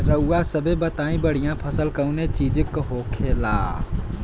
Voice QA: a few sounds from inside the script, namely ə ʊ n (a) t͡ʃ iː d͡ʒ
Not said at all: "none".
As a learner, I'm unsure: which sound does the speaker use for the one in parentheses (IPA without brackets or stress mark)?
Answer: e